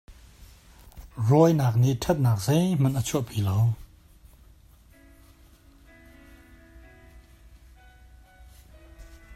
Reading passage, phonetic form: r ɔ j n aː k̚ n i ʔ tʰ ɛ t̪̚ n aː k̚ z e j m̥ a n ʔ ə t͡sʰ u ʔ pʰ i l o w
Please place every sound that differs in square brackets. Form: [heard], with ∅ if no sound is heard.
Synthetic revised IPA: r ɔ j n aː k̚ n i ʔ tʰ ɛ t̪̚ n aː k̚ z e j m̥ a n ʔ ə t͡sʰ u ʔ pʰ i l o w